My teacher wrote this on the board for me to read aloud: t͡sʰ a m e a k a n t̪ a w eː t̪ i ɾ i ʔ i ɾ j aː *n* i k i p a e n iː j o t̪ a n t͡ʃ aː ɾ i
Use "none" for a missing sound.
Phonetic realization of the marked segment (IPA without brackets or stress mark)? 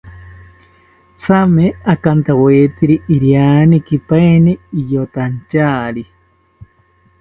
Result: n